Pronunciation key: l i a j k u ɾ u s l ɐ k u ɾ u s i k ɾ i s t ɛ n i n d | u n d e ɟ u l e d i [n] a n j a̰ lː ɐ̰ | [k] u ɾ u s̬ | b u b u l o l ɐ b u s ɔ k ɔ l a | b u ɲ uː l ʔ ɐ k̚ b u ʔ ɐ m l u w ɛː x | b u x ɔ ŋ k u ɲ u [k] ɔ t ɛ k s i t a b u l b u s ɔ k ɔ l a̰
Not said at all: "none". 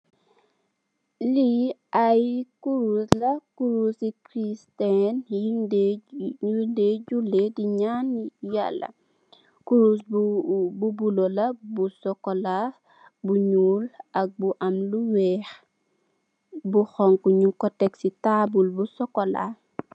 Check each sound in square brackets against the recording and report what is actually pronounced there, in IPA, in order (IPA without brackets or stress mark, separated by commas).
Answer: ɲ, k, k